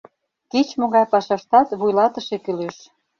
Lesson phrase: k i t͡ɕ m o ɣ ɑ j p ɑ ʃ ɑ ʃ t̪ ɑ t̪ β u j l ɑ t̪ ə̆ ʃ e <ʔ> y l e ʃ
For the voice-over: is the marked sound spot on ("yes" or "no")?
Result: no